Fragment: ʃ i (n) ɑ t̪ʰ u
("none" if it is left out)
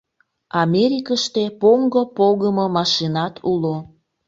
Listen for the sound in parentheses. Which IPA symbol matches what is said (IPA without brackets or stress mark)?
n